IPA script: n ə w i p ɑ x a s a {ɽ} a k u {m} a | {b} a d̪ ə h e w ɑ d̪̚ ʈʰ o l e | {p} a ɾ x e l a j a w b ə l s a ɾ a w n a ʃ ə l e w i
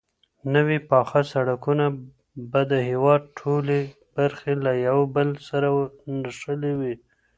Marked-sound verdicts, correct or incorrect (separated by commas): correct, incorrect, correct, incorrect